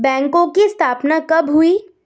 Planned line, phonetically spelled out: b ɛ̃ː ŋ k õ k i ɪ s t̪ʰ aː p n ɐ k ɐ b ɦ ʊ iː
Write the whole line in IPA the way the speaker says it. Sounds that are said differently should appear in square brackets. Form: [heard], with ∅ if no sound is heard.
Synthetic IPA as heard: b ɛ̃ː ŋ k õ k i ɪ s t̪ʰ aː p n [a] k ɐ b ɦ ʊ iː